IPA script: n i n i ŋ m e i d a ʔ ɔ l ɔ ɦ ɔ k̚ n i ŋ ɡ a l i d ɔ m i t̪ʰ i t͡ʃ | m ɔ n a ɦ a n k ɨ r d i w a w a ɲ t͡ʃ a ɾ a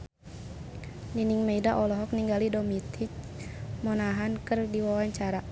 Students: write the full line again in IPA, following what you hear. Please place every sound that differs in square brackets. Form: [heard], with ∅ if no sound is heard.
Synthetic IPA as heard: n i n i ŋ m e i d a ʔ ɔ l ɔ ɦ ɔ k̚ n i ŋ ɡ a l i d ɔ m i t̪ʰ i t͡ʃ | m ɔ n a ɦ a n k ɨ r d i w a w a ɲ t͡ʃ a ɾ a